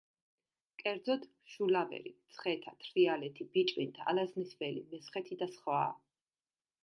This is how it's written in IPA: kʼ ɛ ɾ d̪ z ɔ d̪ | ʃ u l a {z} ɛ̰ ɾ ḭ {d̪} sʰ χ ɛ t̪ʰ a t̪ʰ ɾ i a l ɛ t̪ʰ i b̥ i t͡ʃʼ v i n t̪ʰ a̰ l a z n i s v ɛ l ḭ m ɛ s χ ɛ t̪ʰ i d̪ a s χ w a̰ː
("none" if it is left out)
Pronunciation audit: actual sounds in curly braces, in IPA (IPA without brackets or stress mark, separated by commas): v, t̪